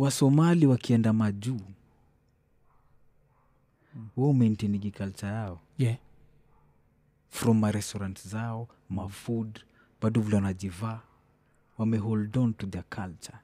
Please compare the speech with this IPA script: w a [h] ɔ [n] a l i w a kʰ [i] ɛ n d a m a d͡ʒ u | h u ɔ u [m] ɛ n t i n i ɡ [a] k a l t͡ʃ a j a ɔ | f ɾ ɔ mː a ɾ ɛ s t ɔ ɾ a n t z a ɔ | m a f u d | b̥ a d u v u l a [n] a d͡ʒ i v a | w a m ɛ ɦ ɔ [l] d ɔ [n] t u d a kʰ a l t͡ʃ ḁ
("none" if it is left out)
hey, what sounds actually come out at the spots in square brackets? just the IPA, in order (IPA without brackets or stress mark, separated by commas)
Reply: s, m, i, m, i, n, l, n